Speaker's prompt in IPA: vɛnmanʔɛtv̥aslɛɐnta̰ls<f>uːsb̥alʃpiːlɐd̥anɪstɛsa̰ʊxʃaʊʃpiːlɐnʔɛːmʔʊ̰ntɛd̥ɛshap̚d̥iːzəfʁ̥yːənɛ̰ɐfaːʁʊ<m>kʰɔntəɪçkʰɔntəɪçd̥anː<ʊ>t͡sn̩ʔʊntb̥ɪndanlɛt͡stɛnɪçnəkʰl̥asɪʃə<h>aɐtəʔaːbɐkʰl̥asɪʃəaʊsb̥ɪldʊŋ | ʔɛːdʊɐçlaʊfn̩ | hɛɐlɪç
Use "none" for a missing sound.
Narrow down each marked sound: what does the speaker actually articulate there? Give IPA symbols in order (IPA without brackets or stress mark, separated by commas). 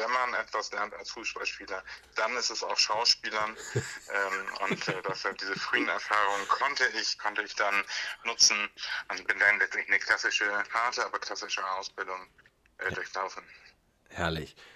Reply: f, ŋ, ʊ, h